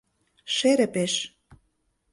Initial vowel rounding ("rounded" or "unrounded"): unrounded